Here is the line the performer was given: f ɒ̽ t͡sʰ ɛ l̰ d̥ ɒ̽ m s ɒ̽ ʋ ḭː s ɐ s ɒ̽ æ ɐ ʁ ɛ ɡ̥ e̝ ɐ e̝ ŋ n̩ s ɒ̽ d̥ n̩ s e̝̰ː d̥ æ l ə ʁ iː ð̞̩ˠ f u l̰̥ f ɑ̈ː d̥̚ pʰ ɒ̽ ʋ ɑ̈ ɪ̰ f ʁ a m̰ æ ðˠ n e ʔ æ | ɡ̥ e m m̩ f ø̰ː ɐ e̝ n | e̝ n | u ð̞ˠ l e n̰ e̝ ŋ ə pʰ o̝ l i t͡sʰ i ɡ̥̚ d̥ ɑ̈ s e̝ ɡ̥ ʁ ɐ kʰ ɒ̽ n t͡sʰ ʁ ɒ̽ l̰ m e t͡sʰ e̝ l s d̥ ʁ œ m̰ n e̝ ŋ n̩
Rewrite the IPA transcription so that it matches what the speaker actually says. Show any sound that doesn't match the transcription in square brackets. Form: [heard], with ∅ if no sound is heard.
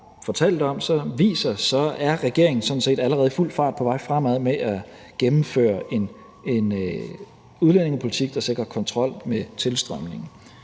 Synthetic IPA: f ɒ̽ t͡sʰ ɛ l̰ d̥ ɒ̽ m s ɒ̽ ʋ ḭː s ɐ s ɒ̽ æ ɐ ʁ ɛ ɡ̥ e̝ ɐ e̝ ŋ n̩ s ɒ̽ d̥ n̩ s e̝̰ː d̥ æ l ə ʁ [ɛː] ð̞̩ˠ f u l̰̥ f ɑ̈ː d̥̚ pʰ ɒ̽ ʋ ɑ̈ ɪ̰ f ʁ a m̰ æ ðˠ [m] e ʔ æ | ɡ̥ e m m̩ f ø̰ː ɐ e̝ n | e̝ n | u ð̞ˠ l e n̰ e̝ ŋ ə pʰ o̝ l i t͡sʰ i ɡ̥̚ d̥ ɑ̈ s e̝ ɡ̥ ʁ ɐ kʰ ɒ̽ n t͡sʰ ʁ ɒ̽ l̰ m e t͡sʰ e̝ l s d̥ ʁ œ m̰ n e̝ ŋ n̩